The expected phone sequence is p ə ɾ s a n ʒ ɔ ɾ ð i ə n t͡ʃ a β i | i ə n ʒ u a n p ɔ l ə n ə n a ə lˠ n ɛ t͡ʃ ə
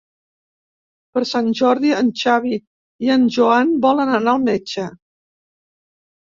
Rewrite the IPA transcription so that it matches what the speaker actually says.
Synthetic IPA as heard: p ə ɾ s a n ʒ ɔ ɾ ð i ə n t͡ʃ a β i | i ə n ʒ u a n b ɔ l ə n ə n a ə lˠ m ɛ t͡ʃ ə